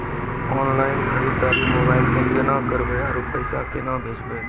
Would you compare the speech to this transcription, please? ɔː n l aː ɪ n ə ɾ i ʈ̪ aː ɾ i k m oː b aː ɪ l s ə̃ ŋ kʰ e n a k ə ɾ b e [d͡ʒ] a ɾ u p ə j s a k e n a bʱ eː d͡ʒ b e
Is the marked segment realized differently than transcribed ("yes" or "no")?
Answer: yes